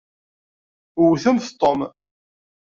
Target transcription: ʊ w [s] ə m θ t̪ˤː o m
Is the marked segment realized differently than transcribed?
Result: yes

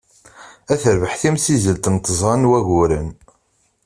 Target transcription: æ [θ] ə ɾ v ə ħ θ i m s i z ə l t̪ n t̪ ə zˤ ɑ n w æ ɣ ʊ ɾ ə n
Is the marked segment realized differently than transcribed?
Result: no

